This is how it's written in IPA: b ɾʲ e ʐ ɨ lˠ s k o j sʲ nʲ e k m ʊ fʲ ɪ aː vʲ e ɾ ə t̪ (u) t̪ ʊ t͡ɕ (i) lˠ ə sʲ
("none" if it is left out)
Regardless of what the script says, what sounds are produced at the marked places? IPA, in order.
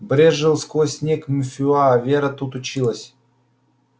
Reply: u, i

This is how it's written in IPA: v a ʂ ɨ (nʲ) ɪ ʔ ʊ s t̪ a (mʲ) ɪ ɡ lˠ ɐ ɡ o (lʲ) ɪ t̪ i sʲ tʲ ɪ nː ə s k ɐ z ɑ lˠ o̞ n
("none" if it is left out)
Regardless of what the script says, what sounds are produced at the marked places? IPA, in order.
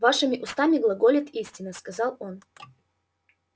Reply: mʲ, mʲ, lʲ

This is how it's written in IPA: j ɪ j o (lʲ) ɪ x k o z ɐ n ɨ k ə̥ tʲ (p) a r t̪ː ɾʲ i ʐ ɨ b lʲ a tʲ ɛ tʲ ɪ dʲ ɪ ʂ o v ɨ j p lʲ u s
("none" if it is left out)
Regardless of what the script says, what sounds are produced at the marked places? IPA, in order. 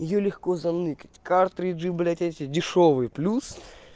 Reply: lʲ, k

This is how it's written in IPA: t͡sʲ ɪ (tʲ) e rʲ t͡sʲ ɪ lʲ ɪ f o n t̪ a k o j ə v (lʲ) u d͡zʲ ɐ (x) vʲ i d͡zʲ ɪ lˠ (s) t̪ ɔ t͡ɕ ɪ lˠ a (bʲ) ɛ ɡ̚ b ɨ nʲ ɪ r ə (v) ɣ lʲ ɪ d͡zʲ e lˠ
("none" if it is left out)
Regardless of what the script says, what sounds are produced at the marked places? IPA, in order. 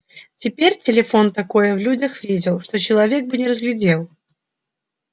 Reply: pʲ, lʲ, x, ʂ, vʲ, z

